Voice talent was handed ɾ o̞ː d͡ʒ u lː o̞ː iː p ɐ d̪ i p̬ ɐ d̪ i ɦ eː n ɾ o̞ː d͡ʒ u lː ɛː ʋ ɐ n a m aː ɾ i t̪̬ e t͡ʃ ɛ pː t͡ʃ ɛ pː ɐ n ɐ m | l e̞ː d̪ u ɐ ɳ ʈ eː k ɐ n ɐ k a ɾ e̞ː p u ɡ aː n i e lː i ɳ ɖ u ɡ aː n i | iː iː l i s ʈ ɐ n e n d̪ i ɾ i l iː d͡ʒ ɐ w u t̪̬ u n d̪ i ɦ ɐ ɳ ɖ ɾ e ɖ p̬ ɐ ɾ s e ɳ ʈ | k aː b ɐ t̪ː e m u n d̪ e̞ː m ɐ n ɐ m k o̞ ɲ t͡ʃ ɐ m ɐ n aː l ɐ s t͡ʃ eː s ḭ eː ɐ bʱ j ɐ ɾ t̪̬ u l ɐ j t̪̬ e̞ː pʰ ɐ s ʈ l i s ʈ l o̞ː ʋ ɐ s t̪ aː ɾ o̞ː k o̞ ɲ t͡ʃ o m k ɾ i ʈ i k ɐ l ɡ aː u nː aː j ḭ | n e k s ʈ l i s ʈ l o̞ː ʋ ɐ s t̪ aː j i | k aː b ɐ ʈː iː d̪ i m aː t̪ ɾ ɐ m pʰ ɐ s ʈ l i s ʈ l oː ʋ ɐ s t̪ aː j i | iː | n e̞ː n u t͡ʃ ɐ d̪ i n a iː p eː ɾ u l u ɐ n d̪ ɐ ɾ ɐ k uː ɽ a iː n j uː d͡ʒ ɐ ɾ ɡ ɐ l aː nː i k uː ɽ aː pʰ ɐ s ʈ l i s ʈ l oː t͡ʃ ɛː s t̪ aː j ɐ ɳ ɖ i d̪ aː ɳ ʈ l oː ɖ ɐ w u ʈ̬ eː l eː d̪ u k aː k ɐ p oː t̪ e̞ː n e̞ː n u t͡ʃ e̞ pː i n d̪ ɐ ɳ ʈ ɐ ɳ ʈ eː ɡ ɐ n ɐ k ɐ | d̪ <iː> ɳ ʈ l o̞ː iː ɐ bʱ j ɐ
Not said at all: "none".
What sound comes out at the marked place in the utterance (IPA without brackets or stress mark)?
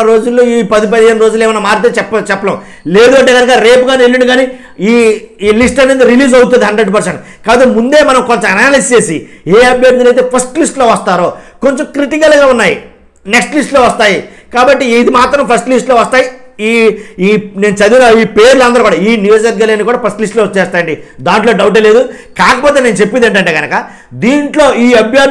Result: iː